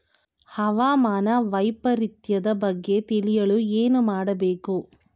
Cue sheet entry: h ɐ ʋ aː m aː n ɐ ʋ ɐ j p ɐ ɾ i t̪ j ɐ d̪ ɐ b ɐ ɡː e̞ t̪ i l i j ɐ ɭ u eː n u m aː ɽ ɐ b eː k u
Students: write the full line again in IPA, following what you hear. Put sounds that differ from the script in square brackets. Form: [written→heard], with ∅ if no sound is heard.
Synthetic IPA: h ɐ ʋ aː m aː n ɐ ʋ ɐ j p ɐ ɾ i t̪ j ɐ d̪ ɐ b ɐ ɡː e̞ t̪ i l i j ɐ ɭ u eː n u m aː ɽ ɐ b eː k u

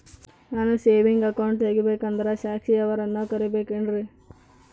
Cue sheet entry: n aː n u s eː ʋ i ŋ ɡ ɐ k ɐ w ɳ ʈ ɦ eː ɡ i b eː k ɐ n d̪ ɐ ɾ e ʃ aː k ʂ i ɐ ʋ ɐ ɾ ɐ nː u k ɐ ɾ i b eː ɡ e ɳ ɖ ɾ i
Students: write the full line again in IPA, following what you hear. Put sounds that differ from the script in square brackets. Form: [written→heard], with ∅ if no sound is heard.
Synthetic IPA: n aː n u s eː ʋ i ŋ ɡ ɐ k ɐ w ɳ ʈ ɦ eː ɡ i b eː k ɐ n d̪ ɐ ɾ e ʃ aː k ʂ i ɐ ʋ ɐ ɾ ɐ nː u k ɐ ɾ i b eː [ɡ→k] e ɳ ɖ ɾ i

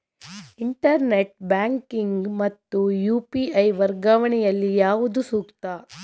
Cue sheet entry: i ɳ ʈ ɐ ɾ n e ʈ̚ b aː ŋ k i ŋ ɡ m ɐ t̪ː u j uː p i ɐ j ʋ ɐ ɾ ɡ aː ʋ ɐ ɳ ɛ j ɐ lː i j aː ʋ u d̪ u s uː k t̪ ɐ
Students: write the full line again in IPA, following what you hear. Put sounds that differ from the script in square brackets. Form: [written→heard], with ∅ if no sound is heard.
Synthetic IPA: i ɳ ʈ ɐ ɾ n e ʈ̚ b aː ŋ k i ŋ ɡ m ɐ t̪ː u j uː p i ɐ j ʋ ɐ ɾ ɡ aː ʋ ɐ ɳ ɛ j ɐ lː i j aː ʋ u d̪ u s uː k t̪ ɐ

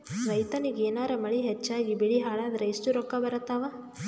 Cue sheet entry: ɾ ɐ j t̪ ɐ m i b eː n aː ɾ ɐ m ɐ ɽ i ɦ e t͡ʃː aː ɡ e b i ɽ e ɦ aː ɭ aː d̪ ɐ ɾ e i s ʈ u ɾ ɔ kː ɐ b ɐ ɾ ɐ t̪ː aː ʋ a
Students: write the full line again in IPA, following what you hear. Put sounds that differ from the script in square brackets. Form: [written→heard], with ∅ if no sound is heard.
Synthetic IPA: ɾ ɐ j t̪ ɐ [m→n] i [b→ɡ] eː n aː ɾ ɐ m ɐ [ɽ→ɭ] i ɦ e t͡ʃː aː ɡ [e→i] b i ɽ [e→i] ɦ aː ɭ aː d̪ ɐ ɾ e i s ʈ u ɾ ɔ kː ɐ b ɐ ɾ ɐ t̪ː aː ʋ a

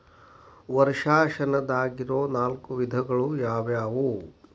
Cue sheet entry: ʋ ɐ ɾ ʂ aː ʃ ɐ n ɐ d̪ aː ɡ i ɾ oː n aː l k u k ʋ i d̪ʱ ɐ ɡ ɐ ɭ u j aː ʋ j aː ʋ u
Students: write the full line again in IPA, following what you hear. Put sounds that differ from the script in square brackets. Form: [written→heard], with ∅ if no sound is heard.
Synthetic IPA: ʋ ɐ ɾ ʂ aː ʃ ɐ n ɐ d̪ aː ɡ i ɾ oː n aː l k u [k→∅] ʋ i d̪ʱ ɐ ɡ ɐ ɭ u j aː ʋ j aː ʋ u

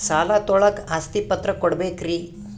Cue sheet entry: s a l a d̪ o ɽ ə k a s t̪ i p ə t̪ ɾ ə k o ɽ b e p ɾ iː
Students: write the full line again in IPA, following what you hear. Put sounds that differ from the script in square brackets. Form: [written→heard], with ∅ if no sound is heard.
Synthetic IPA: s a l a [d̪→t̪] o [ɽ→ɭ] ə k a s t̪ i p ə t̪ ɾ ə k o ɽ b e [p→k] ɾ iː

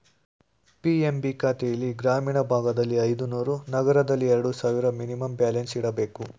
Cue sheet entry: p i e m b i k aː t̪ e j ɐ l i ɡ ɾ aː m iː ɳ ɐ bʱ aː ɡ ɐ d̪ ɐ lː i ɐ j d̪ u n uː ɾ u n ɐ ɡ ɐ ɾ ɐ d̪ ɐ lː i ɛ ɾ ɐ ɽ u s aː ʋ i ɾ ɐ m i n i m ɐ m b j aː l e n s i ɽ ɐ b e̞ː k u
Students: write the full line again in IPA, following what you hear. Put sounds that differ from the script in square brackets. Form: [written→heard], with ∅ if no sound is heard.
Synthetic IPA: p i e m b i k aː t̪ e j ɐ l i ɡ ɾ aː m iː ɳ ɐ bʱ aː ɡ ɐ d̪ ɐ lː i ɐ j d̪ u n uː ɾ u n ɐ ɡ ɐ ɾ ɐ d̪ ɐ lː i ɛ ɾ ɐ ɽ u s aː ʋ i ɾ ɐ m i n i m ɐ m b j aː l e n s i ɽ ɐ b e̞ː k u

